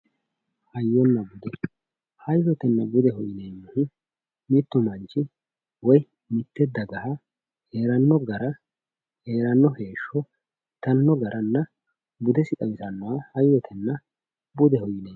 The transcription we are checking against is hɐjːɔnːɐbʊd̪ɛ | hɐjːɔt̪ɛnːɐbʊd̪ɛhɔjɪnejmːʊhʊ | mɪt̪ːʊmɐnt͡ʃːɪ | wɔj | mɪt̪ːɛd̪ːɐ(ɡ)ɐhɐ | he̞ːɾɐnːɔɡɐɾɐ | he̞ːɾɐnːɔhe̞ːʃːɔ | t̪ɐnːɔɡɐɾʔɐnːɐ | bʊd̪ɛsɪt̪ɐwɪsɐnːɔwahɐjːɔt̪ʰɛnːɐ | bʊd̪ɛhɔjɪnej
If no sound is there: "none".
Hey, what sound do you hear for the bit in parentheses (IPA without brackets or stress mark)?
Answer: ɡ